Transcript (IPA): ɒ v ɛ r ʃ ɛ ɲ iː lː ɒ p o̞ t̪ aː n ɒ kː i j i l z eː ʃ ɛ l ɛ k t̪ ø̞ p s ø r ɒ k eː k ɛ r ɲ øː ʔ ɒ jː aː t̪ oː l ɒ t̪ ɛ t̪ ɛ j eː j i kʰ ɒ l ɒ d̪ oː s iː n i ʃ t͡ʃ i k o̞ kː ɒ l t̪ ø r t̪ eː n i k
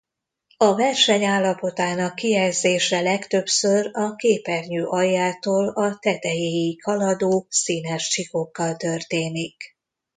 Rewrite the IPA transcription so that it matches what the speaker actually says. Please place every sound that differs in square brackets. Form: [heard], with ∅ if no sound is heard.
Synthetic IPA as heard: ɒ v ɛ r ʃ ɛ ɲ [aː] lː ɒ p o̞ t̪ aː n ɒ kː i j [ɛ] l z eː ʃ ɛ l ɛ k t̪ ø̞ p s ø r ɒ k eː [p] ɛ r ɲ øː ʔ ɒ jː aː t̪ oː l ɒ t̪ ɛ t̪ ɛ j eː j i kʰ ɒ l ɒ d̪ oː s iː n [ɛ] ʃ t͡ʃ i k o̞ kː ɒ l t̪ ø r t̪ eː n i k